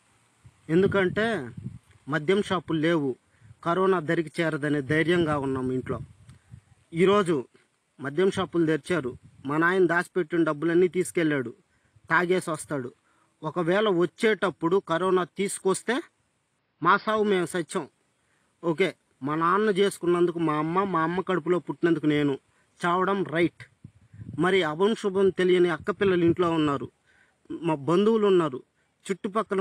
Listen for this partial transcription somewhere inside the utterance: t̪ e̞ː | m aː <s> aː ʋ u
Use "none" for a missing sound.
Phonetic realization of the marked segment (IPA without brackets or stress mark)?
s